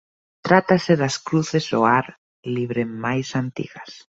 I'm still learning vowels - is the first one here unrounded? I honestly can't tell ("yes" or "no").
yes